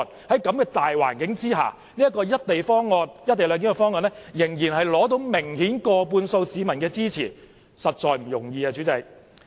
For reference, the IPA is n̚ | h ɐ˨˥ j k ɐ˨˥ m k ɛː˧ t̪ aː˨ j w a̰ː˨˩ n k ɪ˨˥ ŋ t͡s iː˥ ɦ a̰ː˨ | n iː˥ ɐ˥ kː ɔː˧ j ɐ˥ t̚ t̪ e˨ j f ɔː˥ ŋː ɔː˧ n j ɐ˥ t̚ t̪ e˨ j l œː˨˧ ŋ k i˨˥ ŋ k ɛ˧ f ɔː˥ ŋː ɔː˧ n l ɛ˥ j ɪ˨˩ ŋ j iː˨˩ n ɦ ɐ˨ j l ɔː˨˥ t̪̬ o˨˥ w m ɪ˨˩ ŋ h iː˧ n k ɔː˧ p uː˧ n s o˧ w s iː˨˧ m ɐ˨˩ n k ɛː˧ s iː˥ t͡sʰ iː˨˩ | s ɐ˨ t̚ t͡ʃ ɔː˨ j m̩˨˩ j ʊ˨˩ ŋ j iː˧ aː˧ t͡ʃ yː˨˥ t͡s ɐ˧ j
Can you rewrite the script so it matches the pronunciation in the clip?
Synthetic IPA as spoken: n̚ | h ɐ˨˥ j k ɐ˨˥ m k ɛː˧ t̪ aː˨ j w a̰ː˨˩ n k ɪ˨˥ ŋ t͡s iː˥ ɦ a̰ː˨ | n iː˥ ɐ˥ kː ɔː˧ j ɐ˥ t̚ t̪ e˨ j f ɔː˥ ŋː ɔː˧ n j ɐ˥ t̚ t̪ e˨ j l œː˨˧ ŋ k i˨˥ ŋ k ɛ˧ f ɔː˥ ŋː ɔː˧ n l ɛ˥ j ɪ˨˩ ŋ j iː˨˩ n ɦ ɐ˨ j l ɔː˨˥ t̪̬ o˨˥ w m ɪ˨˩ ŋ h iː˨˥ n k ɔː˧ p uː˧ n s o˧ w s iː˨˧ m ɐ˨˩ n k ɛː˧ t͡s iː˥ t͡sʰ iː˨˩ | s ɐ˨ t̚ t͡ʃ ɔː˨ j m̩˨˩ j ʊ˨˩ ŋ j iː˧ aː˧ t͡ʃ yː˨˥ t͡s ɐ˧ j